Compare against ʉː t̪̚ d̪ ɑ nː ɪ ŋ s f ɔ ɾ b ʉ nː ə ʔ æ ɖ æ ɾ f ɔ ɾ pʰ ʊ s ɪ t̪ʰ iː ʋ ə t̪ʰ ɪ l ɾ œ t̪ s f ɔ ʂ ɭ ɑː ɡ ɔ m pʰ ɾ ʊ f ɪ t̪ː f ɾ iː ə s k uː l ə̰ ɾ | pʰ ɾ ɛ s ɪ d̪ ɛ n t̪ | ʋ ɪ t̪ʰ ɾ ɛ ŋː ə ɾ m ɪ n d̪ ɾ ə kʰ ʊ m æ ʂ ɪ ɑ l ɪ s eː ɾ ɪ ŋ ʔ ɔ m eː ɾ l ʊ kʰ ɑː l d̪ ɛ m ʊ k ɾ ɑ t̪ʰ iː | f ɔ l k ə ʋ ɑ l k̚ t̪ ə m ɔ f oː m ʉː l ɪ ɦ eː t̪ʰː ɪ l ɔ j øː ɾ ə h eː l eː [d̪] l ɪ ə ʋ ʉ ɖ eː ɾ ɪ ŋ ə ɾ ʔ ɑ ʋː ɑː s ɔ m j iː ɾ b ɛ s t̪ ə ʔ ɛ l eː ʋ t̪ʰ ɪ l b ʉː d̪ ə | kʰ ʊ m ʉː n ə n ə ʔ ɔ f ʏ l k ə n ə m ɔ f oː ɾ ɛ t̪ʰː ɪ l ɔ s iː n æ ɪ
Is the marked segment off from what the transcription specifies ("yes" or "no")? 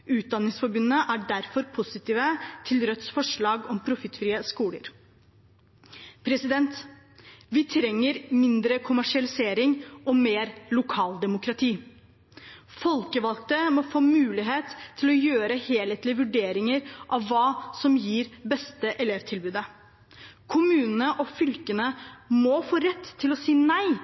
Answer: yes